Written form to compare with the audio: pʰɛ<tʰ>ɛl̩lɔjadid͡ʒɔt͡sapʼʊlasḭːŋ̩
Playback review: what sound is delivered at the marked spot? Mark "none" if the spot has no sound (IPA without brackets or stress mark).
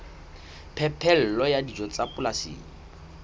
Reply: pʰ